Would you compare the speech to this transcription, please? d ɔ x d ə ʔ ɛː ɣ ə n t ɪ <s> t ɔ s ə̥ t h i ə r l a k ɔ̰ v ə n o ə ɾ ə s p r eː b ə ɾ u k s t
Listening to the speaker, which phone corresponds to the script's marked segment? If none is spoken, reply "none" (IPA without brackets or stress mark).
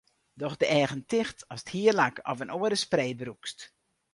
x